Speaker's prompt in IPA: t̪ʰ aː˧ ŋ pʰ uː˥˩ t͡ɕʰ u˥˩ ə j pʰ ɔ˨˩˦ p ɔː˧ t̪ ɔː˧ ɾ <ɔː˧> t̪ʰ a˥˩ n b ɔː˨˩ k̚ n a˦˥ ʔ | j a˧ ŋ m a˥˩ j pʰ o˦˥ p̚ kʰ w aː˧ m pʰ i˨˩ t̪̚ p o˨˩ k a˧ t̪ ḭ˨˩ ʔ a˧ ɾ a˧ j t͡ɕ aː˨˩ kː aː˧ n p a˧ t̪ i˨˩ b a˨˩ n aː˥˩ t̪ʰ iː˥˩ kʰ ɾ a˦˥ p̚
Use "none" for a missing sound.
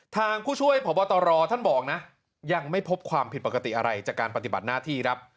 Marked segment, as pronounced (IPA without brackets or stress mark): ɔː˧